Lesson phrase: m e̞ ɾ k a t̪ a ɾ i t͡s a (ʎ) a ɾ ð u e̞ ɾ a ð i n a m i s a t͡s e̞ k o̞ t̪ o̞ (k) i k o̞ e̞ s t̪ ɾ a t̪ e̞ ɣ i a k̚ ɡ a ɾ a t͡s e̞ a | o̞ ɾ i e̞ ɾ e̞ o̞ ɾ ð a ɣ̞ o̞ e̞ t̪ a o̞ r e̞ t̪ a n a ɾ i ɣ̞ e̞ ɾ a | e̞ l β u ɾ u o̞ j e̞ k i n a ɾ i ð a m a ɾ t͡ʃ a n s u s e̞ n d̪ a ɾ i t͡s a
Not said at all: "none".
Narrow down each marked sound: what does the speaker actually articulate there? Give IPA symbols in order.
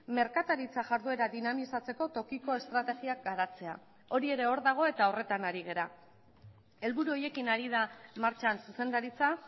ʝ, k

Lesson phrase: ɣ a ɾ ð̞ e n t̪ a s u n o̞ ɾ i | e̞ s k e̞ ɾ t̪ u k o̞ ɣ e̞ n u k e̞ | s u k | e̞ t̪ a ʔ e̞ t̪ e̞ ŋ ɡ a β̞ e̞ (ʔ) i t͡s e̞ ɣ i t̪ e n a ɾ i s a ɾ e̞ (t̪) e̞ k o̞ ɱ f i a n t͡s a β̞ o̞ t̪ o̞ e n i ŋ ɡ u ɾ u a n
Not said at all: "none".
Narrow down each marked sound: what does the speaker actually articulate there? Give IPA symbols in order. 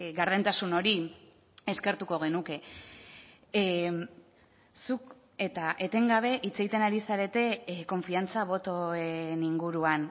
ʔ, t̪

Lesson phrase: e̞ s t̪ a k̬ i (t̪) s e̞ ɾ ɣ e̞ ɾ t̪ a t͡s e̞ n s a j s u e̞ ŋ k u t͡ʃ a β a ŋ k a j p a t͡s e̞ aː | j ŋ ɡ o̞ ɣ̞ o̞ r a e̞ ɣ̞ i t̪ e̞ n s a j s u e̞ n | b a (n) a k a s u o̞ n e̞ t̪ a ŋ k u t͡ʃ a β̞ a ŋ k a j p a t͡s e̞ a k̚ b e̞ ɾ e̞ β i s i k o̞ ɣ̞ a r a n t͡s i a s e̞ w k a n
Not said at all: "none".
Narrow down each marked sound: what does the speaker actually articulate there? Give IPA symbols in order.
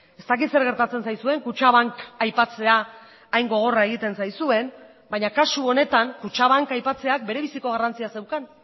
t̪, ɲ

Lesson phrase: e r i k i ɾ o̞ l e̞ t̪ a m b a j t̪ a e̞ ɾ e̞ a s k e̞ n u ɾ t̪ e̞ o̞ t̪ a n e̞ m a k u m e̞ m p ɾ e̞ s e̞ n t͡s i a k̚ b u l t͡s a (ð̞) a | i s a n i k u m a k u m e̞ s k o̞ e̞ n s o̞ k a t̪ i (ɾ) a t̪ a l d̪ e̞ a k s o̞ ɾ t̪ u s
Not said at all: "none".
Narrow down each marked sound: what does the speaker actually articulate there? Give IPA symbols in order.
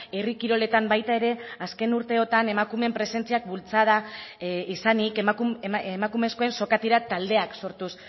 ð̞, ɾ

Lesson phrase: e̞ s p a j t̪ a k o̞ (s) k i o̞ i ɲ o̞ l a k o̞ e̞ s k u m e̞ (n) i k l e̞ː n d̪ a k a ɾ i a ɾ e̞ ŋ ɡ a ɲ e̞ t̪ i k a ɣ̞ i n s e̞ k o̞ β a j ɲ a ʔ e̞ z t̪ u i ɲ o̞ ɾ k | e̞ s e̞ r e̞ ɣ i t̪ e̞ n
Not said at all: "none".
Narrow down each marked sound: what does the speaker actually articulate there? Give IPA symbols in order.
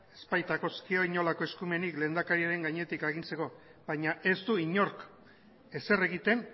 s, n

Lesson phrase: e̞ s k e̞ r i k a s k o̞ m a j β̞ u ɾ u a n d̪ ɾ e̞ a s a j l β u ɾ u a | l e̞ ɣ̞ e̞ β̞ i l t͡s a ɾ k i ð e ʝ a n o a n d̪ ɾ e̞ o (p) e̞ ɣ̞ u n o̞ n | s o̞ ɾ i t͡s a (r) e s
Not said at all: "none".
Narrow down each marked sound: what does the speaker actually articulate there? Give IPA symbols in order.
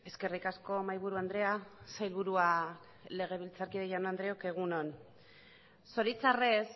k, r

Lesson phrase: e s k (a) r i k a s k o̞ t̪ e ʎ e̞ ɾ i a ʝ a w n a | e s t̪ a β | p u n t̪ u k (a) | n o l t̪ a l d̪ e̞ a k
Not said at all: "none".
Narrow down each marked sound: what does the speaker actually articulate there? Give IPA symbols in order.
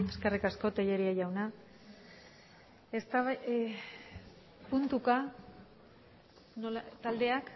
e, a

